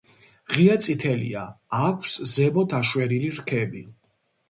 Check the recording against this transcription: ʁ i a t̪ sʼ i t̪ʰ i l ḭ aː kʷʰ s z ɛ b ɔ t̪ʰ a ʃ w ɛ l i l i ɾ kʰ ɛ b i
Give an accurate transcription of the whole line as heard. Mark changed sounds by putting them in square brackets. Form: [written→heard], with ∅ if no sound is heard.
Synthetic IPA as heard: ʁ i a t̪ sʼ i t̪ʰ [i→ɛ] l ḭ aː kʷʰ s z ɛ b ɔ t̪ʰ a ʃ w ɛ [l→ɾ] i l i ɾ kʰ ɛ b i